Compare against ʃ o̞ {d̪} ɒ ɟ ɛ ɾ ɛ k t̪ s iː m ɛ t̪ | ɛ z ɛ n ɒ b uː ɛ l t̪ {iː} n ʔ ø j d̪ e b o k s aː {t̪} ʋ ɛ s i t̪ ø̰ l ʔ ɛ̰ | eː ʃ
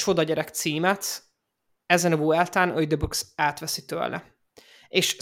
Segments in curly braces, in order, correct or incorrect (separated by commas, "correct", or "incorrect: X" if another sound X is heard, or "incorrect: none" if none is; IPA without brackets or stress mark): correct, incorrect: aː, correct